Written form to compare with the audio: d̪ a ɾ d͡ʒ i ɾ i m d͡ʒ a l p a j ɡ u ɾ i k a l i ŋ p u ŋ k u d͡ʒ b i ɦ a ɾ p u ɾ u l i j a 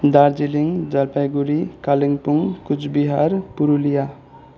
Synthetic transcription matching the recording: d̪ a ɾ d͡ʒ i l i ŋ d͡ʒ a l p a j ɡ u ɾ i k a l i ŋ p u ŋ k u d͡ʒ b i ɦ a ɾ p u ɾ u l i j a